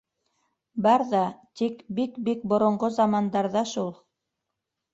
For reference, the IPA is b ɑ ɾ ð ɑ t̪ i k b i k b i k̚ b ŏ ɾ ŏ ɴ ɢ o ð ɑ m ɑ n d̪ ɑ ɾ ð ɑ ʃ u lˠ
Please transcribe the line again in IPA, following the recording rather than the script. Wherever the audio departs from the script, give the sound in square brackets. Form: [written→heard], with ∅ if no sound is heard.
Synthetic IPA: b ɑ ɾ ð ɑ t̪ i k b i k b i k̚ b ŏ ɾ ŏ ɴ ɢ o [ð→z] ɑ m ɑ n d̪ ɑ ɾ ð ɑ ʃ u lˠ